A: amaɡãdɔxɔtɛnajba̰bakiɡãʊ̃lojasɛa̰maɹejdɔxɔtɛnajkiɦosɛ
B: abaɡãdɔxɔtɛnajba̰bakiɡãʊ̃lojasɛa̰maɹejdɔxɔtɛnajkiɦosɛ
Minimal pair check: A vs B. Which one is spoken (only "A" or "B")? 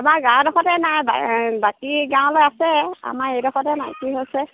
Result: A